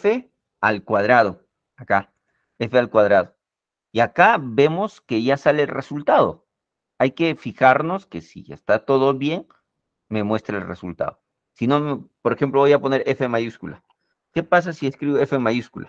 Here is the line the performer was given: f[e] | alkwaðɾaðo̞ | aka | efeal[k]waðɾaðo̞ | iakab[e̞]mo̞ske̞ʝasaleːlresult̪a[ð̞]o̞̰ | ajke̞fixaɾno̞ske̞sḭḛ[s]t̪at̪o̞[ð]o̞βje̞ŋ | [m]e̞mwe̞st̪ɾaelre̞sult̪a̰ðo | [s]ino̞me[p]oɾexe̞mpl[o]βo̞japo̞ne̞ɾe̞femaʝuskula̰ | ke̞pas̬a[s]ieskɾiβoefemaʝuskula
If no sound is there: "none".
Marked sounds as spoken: e, k, e̞, ð̞, s, ð, m, s, p, o, s

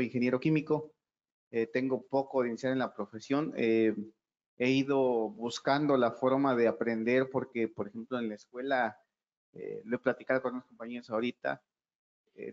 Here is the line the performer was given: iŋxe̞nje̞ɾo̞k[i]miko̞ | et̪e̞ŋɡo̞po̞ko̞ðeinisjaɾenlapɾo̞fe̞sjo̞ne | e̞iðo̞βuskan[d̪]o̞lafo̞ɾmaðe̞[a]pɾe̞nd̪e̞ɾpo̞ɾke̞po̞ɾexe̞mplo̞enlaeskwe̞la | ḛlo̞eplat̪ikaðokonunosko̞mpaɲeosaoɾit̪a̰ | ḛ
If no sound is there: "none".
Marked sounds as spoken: i, d̪, a

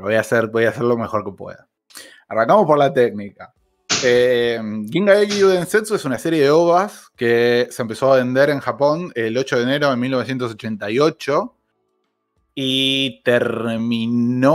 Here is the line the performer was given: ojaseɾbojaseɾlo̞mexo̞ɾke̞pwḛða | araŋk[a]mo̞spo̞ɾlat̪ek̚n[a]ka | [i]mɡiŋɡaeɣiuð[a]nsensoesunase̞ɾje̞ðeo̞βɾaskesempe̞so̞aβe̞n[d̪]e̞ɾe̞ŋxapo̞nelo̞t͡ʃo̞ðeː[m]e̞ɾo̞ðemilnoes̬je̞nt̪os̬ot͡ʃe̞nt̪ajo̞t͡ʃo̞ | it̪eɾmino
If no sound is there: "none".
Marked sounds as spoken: a, i, e, e, d̪, n

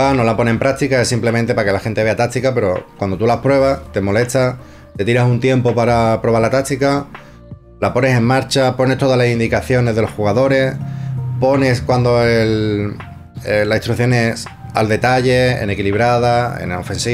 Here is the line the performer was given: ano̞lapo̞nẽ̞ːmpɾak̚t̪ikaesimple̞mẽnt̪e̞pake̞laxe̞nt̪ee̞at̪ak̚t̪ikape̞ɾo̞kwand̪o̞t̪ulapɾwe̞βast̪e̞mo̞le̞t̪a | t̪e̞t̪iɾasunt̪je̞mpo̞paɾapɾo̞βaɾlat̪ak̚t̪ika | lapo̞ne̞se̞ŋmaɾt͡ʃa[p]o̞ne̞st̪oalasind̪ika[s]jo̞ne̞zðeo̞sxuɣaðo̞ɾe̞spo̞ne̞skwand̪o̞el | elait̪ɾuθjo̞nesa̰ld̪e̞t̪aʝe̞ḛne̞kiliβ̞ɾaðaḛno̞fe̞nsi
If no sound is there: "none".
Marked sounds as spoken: p, θ

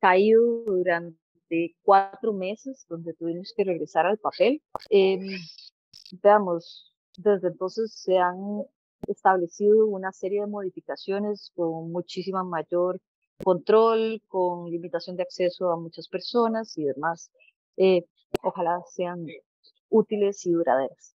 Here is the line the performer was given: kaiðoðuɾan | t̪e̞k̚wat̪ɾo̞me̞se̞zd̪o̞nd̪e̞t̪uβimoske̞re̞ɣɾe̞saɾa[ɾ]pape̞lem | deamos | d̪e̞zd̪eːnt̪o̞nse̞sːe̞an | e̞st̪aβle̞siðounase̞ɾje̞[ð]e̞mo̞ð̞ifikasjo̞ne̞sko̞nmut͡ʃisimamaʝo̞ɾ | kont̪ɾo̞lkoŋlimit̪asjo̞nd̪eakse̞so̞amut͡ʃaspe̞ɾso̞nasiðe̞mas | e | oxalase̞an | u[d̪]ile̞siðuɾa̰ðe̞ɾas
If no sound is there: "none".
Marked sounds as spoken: l, ð, t̪

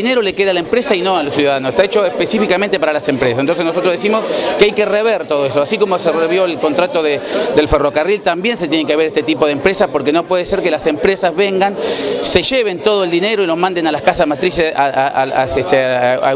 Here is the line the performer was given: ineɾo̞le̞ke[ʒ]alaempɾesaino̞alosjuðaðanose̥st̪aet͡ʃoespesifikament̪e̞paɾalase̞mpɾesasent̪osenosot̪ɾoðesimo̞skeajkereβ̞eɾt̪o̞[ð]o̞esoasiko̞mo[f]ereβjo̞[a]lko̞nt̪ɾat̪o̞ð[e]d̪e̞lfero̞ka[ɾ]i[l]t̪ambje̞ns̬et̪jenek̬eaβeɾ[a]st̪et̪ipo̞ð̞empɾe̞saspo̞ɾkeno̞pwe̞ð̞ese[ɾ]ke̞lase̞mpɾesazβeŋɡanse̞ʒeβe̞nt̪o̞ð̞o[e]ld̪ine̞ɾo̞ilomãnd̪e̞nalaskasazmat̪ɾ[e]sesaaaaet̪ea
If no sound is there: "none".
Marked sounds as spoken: ð, ð, s, e, e, r, l, e, ɾ, e, i

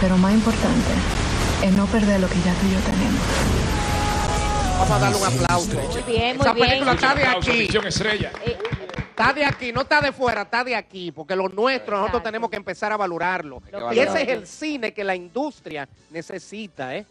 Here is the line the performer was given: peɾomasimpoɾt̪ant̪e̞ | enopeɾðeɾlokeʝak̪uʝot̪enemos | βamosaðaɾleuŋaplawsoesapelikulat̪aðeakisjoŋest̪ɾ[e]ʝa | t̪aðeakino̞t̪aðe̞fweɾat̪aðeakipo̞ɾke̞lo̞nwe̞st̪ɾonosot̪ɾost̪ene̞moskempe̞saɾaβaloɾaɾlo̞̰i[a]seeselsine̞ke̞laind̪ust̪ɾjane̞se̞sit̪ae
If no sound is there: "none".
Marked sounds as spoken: e, e

